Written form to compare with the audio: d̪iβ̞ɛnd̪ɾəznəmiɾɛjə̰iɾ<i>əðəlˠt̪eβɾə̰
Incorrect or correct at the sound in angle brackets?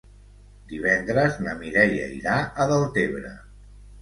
incorrect: a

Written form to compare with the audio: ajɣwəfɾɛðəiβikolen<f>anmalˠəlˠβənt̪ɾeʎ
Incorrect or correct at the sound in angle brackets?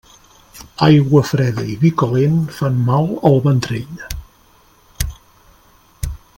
correct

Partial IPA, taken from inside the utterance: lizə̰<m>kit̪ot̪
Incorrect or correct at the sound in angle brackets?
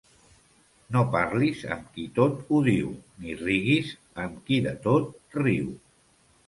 correct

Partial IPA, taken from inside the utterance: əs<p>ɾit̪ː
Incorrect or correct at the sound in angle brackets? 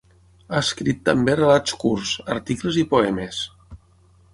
incorrect: k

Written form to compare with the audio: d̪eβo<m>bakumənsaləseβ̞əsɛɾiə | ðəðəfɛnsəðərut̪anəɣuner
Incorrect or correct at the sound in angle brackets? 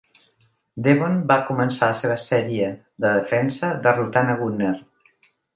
incorrect: n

